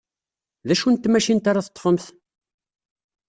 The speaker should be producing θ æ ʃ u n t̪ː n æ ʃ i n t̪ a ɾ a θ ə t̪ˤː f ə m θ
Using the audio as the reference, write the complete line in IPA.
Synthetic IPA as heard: ð æ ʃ u n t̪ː m æ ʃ i n t̪ a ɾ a θ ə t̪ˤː f ə m θ